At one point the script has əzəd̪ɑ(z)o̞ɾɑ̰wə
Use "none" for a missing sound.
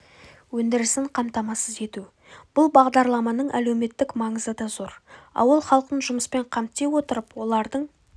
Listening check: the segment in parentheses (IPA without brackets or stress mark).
z